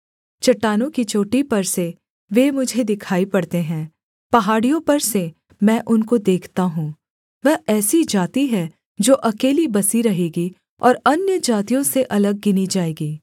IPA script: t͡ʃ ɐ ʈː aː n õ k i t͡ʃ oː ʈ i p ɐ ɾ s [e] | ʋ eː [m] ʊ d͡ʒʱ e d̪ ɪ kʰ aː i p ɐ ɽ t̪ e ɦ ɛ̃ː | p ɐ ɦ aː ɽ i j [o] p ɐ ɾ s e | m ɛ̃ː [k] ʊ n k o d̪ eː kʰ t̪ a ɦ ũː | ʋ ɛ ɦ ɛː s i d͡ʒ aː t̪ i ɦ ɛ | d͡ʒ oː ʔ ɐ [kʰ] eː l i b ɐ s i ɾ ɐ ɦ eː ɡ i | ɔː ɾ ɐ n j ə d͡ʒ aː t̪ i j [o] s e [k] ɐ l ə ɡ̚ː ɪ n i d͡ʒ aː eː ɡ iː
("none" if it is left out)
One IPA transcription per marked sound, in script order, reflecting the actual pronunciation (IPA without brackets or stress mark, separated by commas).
e, m, õ, ʔ, k, õ, ʔ